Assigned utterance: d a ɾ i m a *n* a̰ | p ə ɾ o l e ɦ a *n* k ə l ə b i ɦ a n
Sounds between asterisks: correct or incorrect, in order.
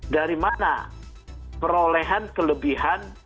correct, correct

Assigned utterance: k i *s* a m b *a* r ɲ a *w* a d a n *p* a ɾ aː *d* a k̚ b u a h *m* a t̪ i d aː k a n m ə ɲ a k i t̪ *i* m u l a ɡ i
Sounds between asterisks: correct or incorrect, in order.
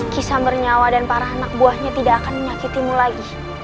correct, incorrect: ə, correct, correct, incorrect: n, incorrect: ɲ, correct

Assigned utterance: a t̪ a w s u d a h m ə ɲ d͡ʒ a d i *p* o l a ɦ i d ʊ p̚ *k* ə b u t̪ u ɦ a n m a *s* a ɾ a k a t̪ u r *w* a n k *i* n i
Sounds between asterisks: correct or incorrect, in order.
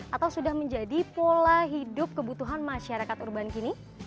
correct, correct, incorrect: ʃ, incorrect: b, correct

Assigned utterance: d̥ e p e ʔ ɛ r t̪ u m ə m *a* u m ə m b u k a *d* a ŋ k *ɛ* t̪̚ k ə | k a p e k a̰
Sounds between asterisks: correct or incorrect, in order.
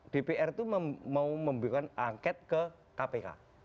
correct, incorrect: n, correct

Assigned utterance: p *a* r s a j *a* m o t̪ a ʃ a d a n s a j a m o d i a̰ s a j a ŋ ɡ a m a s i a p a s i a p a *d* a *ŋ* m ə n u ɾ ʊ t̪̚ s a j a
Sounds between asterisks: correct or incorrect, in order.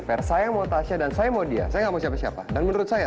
incorrect: ɛ, correct, correct, incorrect: n

